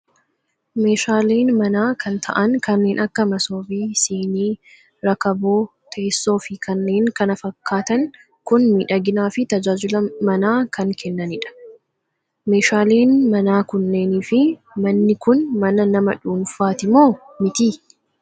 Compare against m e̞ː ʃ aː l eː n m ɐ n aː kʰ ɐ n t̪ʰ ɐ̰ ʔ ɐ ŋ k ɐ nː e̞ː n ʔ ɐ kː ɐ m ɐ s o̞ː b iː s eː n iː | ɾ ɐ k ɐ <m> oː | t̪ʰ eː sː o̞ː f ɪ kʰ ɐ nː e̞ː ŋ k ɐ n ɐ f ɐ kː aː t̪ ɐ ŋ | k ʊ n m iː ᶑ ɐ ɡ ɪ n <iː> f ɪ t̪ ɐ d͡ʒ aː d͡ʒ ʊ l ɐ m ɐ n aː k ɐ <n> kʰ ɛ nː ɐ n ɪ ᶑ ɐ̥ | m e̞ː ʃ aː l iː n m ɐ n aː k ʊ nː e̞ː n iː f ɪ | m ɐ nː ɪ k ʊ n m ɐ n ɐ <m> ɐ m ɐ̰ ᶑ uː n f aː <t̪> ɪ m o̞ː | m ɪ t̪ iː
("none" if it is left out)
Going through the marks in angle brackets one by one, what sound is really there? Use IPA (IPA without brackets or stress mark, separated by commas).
b, aː, ŋ, n, t̪